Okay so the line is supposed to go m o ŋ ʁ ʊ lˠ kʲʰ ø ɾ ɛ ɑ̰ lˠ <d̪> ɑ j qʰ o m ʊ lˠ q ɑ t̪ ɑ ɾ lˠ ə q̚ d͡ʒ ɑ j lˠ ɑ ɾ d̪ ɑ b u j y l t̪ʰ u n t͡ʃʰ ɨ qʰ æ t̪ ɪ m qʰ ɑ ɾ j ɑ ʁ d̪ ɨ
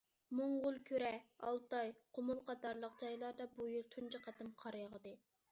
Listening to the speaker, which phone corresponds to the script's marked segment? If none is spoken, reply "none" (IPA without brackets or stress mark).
t̪